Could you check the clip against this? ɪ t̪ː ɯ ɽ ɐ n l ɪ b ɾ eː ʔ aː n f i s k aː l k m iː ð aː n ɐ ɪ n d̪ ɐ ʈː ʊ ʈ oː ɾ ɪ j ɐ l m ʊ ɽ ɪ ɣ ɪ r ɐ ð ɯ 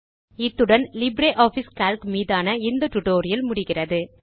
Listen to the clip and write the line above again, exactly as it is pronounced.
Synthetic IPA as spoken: ɪ t̪ː ɯ ɽ ɐ n l ɪ b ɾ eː ʔ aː f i s k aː l k m iː ð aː n ɐ ɪ n d̪ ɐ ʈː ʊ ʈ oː ɾ ɪ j ɐ l m ʊ ɽ ɪ ɣ ɪ r ɐ ð ɯ